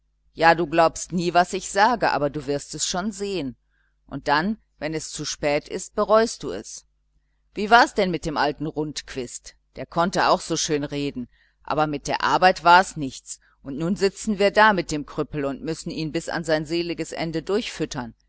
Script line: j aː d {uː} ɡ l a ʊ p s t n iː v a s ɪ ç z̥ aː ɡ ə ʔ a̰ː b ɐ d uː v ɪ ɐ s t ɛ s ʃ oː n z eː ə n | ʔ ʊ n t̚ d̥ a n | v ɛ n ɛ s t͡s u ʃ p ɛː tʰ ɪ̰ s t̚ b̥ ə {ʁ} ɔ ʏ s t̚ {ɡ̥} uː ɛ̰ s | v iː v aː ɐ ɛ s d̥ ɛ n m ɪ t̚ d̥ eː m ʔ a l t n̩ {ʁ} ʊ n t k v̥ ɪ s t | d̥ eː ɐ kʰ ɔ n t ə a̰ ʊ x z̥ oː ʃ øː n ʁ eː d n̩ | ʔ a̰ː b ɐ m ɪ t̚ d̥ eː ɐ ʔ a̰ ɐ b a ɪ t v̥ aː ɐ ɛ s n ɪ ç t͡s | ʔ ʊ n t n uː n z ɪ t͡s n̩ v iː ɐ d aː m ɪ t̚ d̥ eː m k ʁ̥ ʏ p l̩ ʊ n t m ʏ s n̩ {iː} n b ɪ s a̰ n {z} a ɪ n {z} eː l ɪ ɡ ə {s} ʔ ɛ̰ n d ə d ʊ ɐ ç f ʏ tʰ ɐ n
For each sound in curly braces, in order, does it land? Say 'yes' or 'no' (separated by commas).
yes, yes, no, yes, yes, yes, yes, yes